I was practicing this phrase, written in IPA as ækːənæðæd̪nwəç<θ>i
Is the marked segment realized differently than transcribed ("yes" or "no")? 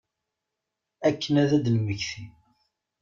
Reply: no